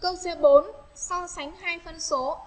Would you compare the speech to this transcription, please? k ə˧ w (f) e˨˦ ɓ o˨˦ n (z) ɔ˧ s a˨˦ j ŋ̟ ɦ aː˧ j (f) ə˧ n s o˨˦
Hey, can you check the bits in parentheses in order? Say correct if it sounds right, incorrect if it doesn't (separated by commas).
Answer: incorrect, incorrect, correct